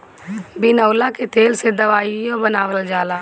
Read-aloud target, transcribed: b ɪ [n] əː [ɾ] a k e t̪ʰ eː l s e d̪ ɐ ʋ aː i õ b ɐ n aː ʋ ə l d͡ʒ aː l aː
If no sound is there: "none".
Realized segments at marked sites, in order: n, l

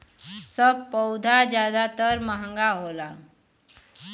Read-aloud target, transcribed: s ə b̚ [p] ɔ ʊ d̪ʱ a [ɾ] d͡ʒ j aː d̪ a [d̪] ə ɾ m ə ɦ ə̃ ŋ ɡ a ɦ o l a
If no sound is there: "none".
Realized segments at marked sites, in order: p, none, t̪

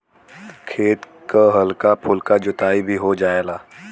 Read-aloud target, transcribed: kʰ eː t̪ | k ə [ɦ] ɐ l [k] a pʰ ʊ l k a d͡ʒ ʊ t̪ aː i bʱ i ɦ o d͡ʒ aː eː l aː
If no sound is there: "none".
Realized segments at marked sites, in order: ɦ, k

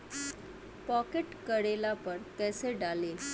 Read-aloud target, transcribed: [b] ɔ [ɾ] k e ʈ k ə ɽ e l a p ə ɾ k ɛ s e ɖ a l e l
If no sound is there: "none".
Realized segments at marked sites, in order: p, none

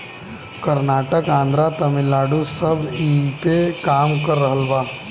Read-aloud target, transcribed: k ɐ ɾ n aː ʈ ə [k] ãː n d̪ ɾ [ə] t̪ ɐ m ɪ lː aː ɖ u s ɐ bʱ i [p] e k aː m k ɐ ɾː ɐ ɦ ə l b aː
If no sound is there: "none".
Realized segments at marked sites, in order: k, a, p

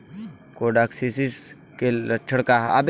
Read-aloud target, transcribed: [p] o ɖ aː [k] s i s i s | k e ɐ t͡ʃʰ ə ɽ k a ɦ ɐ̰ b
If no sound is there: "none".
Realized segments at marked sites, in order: k, k

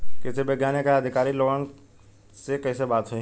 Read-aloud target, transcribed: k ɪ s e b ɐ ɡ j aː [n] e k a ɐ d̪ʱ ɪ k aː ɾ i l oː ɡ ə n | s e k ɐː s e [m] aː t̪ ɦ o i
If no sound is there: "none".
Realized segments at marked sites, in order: n, b

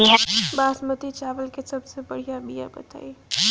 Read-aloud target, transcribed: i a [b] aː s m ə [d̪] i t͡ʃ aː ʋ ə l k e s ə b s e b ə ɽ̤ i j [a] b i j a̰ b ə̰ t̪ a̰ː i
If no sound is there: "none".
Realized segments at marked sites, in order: b, t̪, a

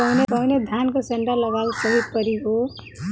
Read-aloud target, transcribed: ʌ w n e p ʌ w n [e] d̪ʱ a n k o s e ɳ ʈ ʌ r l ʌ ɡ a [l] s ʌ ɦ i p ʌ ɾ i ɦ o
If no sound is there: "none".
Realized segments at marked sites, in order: e, l

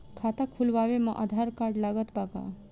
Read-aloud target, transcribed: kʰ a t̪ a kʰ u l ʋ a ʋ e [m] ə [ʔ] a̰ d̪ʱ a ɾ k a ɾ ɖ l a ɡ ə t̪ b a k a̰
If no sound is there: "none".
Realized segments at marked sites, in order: m, ʔ

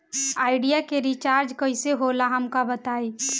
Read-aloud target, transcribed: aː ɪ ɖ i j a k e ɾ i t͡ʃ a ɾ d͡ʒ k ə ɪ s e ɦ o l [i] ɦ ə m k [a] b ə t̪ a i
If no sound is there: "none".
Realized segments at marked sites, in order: a, a

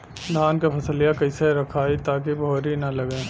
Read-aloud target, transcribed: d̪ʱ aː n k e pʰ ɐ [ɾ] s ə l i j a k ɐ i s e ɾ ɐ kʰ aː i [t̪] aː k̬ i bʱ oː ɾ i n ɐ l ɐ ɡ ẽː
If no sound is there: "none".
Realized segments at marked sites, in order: none, t̪

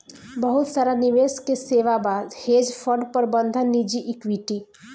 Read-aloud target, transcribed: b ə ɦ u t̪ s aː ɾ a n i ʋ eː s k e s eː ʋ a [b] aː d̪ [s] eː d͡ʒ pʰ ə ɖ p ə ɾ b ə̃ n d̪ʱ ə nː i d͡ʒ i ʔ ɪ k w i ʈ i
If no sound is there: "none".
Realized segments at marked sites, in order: b, h

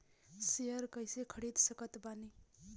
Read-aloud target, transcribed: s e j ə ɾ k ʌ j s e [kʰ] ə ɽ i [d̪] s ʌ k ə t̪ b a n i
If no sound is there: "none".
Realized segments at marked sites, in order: kʰ, d̪

